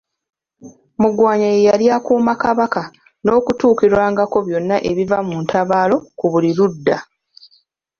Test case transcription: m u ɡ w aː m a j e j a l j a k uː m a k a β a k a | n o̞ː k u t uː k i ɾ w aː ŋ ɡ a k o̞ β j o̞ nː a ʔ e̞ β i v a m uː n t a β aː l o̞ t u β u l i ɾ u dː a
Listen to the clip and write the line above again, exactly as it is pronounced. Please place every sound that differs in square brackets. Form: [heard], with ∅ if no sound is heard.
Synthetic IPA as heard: m u ɡ w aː [ɲ] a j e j a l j a k uː m a k a β a k a | n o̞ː k u t uː k i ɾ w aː ŋ ɡ a k o̞ β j o̞ nː a ʔ e̞ β i v a m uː n t a β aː l o̞ [k] u β u l i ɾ u dː a